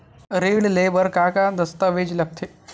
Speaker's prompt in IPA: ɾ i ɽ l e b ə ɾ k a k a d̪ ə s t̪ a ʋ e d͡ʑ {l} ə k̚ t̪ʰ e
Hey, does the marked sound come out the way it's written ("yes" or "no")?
yes